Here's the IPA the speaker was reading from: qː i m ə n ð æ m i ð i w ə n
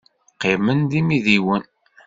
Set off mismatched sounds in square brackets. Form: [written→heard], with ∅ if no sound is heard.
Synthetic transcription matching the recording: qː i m ə n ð [æ→i] m i ð i w ə n